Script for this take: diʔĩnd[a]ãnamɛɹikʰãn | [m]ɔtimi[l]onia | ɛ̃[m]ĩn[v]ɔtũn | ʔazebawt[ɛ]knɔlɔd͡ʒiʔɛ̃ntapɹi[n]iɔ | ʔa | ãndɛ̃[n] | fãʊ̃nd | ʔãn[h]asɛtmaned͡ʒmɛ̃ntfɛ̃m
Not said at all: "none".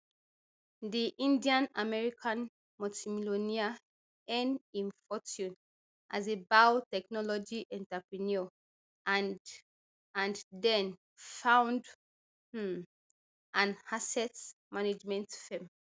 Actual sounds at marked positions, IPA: i, m, l, n, f, ɛ, n, n, h

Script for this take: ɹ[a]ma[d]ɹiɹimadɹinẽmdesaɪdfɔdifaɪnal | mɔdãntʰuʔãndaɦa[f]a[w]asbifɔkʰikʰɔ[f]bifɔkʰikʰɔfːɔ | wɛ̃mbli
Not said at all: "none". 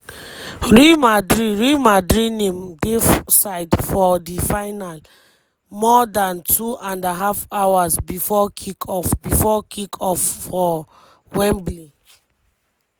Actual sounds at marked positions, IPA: i, d, f, w, f

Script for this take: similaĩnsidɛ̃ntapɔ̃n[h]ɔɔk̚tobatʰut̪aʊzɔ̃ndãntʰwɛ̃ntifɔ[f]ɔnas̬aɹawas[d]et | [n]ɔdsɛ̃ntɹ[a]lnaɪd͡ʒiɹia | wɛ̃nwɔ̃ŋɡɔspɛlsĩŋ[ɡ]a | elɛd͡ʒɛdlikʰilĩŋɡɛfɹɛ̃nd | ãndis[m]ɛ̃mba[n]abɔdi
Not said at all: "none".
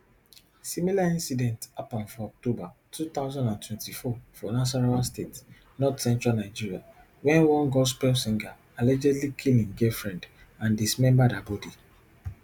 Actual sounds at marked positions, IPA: f, f, t, n, a, ɡ, m, d

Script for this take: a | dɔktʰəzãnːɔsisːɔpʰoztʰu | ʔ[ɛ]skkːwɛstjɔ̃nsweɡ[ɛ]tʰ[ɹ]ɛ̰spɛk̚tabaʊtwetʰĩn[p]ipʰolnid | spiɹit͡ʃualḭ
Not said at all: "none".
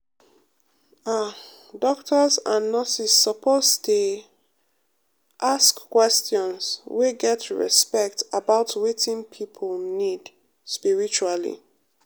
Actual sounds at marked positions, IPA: a, ɛ, ɹ, pʰ

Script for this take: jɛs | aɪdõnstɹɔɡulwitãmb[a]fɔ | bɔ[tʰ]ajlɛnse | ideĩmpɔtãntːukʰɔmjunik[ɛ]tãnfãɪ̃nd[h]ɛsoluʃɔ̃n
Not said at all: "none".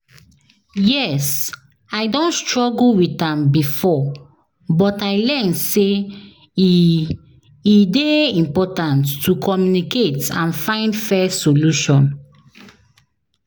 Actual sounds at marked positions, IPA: i, t, e, f

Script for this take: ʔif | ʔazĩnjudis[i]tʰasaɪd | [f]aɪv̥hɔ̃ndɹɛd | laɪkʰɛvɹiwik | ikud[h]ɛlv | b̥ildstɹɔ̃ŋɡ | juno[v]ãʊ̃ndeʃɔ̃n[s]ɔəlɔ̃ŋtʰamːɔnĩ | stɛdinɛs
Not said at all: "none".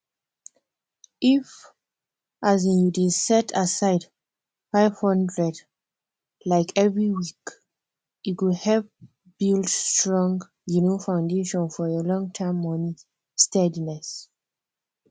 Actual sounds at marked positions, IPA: ɛ, f, h, f, f

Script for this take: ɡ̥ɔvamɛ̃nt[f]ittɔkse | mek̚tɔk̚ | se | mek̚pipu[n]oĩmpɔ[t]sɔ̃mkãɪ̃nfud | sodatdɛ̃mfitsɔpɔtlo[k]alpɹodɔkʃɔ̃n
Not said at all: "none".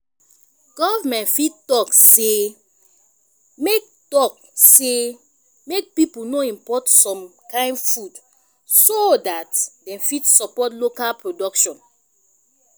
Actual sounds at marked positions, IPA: f, n, t, k

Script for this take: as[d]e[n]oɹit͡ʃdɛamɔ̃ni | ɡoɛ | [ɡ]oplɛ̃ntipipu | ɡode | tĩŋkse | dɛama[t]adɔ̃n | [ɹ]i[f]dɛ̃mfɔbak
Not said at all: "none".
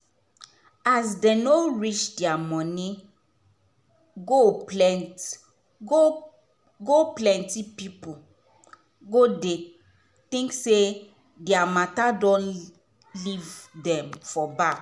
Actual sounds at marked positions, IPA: d, n, ɡ, t, l, v

